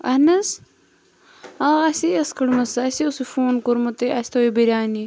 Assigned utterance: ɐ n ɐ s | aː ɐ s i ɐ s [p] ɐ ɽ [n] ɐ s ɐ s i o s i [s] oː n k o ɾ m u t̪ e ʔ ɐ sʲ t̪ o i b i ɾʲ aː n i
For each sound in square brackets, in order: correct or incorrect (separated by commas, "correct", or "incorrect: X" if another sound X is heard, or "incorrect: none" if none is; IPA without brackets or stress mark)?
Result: incorrect: k, incorrect: m, incorrect: f